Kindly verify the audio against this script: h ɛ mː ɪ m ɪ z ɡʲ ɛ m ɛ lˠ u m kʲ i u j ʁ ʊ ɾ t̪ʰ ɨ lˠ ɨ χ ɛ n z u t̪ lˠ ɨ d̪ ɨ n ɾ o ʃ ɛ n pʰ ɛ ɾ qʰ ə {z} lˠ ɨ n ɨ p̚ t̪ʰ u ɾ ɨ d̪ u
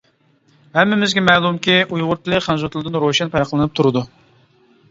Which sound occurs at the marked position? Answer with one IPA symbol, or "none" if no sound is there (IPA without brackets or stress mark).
none